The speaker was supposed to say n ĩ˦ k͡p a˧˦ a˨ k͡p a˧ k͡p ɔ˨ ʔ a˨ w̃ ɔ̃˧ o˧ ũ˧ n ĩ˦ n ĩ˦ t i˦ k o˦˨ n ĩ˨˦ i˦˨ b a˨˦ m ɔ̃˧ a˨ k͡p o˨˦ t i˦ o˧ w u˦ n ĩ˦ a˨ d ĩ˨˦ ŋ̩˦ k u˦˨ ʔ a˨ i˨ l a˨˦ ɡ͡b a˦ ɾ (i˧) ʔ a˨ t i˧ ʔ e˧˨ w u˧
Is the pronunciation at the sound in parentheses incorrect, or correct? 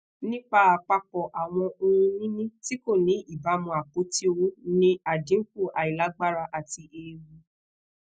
incorrect